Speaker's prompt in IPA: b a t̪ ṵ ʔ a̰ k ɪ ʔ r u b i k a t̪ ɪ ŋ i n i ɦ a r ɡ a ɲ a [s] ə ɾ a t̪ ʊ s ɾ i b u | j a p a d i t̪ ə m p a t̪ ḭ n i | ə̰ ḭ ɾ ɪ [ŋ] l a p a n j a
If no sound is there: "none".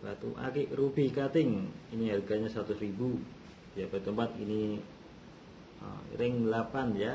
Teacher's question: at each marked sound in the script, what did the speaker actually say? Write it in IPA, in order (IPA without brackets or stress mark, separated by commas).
s, ŋ